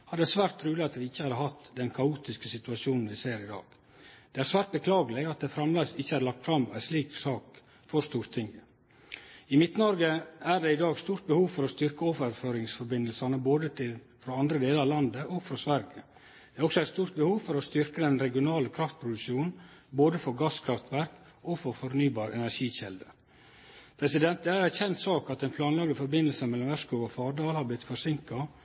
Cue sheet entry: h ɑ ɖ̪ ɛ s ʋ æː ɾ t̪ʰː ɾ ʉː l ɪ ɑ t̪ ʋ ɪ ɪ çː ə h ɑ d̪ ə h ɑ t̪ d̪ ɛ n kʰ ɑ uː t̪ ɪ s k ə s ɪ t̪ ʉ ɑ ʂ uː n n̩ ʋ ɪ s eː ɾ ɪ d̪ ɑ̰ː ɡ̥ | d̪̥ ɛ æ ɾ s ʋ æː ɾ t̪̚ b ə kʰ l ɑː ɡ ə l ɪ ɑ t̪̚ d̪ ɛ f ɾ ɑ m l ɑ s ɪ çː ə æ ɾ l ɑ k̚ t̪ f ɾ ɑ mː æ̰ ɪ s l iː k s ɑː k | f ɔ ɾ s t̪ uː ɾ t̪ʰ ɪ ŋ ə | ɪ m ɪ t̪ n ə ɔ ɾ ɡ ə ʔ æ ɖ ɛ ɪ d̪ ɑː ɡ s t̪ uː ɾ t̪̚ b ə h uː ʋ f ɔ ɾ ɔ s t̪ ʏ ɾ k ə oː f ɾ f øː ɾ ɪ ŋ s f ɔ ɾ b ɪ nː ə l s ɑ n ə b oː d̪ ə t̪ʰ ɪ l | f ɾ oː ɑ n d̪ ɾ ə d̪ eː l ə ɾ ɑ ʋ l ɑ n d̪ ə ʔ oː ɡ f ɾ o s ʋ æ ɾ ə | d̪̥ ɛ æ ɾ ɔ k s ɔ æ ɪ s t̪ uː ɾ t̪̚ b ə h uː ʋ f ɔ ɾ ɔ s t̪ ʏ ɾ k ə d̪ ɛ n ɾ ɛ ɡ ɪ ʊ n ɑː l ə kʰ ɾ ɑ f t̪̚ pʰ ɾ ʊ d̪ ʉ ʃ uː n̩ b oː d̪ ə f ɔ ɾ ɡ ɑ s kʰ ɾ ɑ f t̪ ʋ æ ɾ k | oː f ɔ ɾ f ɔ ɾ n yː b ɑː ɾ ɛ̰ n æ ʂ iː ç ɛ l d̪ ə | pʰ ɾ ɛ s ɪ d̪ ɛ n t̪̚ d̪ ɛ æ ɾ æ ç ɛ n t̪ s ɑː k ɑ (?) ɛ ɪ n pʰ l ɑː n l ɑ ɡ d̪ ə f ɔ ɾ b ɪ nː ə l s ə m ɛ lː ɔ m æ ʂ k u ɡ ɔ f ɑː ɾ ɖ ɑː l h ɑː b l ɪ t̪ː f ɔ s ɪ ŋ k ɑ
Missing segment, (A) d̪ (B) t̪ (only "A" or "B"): B